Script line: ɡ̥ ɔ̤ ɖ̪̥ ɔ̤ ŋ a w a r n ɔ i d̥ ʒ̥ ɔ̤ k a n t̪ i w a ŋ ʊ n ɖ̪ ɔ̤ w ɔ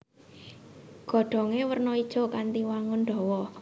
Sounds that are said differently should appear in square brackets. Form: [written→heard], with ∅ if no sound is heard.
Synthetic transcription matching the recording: ɡ̥ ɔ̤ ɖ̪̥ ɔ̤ ŋ [a→e] w [a→ə] r n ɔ i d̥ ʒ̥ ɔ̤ k a n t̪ i w a ŋ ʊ n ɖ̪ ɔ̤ w ɔ

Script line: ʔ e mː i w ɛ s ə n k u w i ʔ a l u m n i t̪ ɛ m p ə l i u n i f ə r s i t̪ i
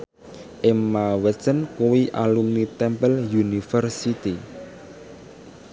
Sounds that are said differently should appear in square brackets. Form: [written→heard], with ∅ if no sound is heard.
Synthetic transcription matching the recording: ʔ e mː [i→a] w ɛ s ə n k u w i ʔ a l u m n i t̪ ɛ m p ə l [i→j] u n i f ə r s i t̪ i

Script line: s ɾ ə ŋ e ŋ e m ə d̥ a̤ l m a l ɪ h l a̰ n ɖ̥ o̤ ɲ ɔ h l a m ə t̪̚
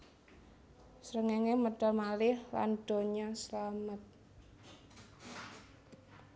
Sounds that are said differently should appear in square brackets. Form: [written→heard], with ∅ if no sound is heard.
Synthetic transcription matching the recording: s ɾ ə ŋ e ŋ e m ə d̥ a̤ l m a l ɪ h l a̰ n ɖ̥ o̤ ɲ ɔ [h→s] l a m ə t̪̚

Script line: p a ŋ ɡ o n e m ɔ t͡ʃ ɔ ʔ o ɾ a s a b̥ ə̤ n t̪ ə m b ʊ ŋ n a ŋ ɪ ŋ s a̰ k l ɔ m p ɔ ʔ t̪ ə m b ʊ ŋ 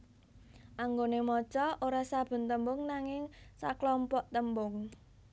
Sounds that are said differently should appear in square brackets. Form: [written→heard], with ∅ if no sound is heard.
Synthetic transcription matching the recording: [p→ʔ] a ŋ ɡ o n e m ɔ t͡ʃ ɔ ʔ o ɾ a s a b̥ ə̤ n t̪ ə m b ʊ ŋ n a ŋ ɪ ŋ s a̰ k l ɔ m p ɔ ʔ t̪ ə m b ʊ ŋ

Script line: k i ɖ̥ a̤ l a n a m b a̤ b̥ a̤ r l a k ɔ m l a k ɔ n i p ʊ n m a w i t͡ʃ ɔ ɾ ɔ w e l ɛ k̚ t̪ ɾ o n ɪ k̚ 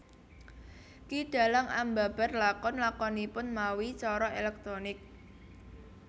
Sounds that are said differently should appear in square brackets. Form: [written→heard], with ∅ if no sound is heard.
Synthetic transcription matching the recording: k i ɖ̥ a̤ l a [n→ŋ] a m b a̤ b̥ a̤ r l a k ɔ [m→n] l a k ɔ n i p ʊ n m a w i t͡ʃ ɔ ɾ ɔ [w→∅] e l ɛ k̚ t̪ ɾ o n ɪ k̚

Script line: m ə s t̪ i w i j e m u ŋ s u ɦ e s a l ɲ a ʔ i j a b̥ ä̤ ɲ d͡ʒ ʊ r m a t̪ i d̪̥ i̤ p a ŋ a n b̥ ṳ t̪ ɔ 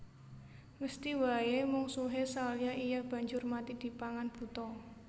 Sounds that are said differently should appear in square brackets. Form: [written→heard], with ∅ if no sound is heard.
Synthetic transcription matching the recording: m ə s t̪ i w [i→a] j e m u ŋ s u ɦ e s a l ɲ a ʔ i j a b̥ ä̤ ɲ d͡ʒ ʊ r m a t̪ i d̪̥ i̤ p a ŋ a n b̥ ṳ t̪ ɔ

